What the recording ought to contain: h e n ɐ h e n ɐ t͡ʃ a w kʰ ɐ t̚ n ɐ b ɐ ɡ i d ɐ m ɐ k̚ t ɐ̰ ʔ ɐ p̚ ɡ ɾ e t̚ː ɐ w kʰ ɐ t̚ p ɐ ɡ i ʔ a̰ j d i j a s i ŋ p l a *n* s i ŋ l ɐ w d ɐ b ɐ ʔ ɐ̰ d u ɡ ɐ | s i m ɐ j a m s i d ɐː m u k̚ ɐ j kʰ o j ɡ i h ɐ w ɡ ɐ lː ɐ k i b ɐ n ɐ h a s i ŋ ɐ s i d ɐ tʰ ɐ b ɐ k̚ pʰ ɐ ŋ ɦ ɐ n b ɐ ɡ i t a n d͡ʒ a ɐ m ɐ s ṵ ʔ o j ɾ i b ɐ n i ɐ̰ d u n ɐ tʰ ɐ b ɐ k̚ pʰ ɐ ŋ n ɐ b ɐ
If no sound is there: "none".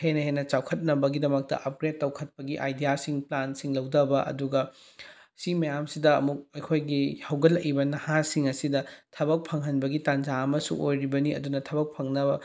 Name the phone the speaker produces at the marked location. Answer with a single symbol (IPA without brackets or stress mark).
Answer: n